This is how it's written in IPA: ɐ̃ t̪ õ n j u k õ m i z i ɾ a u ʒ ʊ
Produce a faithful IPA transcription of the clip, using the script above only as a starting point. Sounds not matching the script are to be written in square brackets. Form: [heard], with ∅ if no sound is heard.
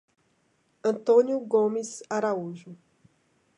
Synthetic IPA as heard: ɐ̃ t̪ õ n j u [ɡ] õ m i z [a] ɾ a u ʒ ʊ